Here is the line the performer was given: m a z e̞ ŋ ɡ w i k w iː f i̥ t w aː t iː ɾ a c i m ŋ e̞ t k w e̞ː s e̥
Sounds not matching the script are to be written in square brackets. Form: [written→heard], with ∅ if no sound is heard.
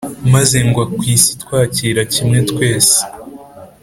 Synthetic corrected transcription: m a z e̞ ŋ ɡ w [i→a] k w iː [f→s] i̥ t w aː [t→c] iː ɾ a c i m ŋ e̞ t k w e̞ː s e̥